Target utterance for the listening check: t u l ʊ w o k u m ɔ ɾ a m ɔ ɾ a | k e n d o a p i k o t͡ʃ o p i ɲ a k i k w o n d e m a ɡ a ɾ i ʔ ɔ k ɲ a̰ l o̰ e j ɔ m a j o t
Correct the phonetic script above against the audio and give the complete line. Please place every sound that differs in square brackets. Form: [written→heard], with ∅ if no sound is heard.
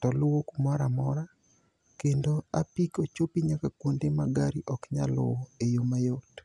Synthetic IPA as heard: t [u→ɔ] l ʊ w o k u m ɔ ɾ a m ɔ ɾ a | k e n d o a p i k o t͡ʃ o p i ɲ a k [i→a] k w o n d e m a ɡ a ɾ i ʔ ɔ k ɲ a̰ l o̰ e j [ɔ→o] m a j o t